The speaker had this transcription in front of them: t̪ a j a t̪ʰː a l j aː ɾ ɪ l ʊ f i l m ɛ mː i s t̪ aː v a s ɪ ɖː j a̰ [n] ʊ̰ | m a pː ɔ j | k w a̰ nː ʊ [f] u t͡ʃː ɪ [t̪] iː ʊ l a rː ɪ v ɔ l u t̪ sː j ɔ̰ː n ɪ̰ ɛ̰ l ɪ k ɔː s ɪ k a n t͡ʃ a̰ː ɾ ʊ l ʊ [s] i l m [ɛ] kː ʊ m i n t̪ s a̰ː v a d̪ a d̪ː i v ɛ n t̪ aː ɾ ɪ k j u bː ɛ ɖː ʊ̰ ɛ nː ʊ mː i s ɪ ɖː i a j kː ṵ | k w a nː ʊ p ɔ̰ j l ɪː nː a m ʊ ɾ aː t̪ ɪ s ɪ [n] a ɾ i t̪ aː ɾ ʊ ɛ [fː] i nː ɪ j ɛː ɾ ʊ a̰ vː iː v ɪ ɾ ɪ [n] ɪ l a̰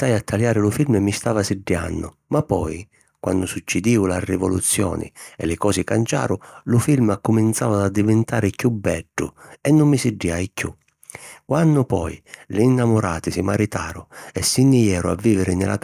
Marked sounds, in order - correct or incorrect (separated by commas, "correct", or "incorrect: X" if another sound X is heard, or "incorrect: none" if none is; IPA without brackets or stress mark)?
incorrect: nː, incorrect: s, incorrect: d̪, incorrect: f, incorrect: a, incorrect: m, incorrect: sː, correct